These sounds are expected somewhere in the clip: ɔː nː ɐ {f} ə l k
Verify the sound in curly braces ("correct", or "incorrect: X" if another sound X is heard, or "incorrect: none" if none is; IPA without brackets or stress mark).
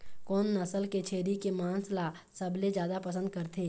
incorrect: s